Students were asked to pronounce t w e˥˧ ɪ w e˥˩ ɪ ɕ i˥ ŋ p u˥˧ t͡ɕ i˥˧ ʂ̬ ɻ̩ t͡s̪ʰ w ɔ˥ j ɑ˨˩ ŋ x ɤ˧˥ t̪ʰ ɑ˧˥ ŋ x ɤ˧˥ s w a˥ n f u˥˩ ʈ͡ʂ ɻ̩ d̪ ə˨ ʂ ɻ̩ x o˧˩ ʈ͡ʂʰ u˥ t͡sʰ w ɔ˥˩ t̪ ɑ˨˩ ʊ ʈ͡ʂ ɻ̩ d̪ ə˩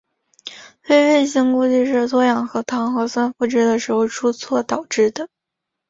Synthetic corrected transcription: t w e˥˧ ɪ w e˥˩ ɪ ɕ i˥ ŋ k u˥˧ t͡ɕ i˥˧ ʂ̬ ɻ̩ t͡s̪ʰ w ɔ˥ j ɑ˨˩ ŋ x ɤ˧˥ t̪ʰ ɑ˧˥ ŋ x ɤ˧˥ s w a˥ n f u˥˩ ʈ͡ʂ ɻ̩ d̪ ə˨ ʂ ɻ̩ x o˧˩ ʈ͡ʂʰ u˥ t͡sʰ w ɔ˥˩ t̪ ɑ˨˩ ʊ ʈ͡ʂ ɻ̩ d̪ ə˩

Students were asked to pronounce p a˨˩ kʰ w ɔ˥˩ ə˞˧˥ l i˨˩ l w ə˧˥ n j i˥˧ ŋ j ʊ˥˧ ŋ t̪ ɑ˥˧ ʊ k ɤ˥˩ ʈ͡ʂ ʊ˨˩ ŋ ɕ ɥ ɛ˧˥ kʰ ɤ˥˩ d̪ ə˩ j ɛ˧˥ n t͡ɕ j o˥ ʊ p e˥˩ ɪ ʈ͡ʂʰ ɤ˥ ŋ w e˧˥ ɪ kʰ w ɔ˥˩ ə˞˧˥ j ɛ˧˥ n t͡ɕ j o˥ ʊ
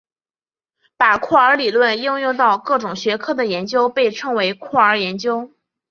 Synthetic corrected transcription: p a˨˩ kʰ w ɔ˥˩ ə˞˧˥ l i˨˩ l w ə˥˧ n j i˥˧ ŋ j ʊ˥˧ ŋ t̪ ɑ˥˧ ʊ k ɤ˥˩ ʈ͡ʂ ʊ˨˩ ŋ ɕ ɥ ɛ˧˥ kʰ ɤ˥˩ d̪ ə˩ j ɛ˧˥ n t͡ɕ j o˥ ʊ p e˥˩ ɪ ʈ͡ʂʰ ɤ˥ ŋ w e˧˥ ɪ kʰ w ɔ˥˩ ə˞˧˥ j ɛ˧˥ n t͡ɕ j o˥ ʊ

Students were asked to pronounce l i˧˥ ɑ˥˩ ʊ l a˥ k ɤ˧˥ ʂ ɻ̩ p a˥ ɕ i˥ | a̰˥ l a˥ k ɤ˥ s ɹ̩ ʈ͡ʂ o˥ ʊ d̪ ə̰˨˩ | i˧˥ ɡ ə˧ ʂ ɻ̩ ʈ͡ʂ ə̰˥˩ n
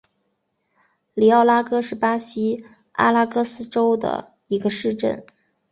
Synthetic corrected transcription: l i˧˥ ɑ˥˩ ʊ l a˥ k ɤ˥ ʂ ɻ̩ p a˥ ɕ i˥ | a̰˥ l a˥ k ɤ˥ s ɹ̩ ʈ͡ʂ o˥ ʊ d̪ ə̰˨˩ | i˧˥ ɡ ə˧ ʂ ɻ̩ ʈ͡ʂ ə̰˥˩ n

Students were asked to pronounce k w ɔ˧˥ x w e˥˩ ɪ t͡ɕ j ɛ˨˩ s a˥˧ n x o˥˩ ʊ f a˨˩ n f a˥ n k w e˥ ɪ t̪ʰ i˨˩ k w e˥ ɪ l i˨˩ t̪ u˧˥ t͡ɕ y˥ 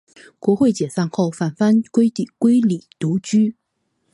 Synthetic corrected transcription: k w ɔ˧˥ x w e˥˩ ɪ t͡ɕ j ɛ˨˩ s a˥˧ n x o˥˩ ʊ f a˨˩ n f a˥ n k w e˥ ɪ t̪ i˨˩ k w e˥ ɪ l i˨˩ t̪ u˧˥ t͡ɕ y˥

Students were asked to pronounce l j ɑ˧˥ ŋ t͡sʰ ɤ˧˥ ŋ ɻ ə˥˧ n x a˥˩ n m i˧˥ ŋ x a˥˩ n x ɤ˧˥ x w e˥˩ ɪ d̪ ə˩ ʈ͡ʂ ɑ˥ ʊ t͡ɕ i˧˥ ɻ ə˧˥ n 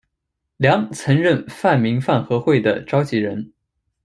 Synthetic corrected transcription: l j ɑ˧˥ ŋ t͡sʰ ɤ˧˥ ŋ ɻ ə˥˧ n f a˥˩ n m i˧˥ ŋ f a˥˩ n x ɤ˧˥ x w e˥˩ ɪ d̪ ə˩ ʈ͡ʂ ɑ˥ ʊ t͡ɕ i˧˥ ɻ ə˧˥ n

